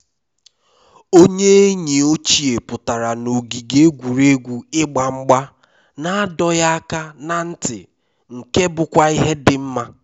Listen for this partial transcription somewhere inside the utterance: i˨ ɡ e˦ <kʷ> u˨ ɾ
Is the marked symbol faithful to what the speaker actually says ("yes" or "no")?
no